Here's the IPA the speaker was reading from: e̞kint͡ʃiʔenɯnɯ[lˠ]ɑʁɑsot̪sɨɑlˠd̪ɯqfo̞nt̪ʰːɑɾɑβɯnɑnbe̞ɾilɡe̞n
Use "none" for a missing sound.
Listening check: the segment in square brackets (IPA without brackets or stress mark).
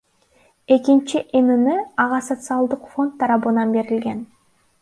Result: none